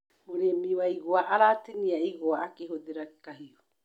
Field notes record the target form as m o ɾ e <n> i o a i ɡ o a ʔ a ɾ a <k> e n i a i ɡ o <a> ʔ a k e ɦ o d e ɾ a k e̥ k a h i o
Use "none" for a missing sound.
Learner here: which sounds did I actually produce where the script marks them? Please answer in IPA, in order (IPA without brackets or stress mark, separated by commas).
m, t, a